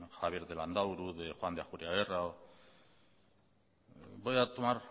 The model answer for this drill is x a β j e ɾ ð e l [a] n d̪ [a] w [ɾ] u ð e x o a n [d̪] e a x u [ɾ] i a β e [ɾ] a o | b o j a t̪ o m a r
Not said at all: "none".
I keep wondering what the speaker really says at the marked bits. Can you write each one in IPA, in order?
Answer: a, a, ɾ, d̪, ɾ, r

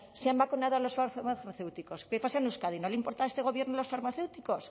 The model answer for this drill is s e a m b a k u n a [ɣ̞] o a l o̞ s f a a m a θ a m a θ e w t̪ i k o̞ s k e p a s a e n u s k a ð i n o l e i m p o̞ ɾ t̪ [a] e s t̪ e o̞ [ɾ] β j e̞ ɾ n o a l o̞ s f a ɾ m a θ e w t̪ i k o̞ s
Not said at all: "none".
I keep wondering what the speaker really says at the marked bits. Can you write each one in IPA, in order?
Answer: ð̞, a, none

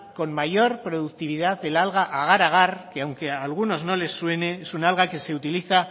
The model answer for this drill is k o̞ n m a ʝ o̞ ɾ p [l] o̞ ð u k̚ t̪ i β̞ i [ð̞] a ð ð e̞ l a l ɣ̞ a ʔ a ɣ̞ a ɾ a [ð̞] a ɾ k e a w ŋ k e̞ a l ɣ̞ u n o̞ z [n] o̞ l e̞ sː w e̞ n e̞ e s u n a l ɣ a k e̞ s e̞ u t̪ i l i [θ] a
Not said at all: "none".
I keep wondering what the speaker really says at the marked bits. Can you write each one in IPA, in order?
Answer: ɾ, ð̞, ɣ̞, n, θ

